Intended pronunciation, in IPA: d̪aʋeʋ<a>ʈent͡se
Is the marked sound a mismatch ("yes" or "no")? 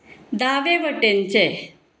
yes